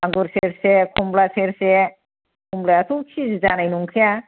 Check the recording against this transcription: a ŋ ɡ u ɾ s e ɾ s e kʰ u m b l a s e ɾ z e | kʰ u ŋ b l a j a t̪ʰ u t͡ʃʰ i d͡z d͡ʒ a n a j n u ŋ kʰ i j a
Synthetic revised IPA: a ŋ ɡ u ɾ s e ɾ s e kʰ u m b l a s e ɾ s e | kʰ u m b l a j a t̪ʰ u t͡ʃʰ i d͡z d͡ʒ a n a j n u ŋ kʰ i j a